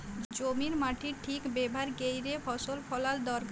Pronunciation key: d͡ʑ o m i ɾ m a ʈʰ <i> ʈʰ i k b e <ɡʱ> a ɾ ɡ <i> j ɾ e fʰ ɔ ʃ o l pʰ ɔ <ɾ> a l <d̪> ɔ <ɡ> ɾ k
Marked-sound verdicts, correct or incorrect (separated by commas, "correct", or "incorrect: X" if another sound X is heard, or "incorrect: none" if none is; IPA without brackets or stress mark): correct, incorrect: bʱ, incorrect: e, incorrect: l, correct, incorrect: none